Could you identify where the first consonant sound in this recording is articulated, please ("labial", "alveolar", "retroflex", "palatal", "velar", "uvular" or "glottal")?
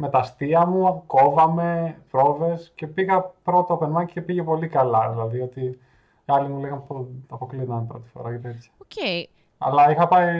labial